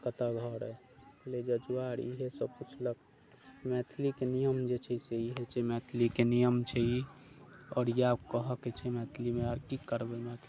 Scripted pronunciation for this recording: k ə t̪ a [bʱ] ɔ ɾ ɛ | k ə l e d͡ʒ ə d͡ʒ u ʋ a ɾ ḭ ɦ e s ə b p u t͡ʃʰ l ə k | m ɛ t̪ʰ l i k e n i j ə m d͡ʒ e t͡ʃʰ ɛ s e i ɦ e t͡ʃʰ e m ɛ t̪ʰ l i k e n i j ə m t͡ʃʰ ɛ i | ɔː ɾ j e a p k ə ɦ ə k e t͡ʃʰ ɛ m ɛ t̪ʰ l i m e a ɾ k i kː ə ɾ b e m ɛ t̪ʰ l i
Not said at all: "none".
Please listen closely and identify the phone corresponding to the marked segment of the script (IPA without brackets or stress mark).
ɡʱ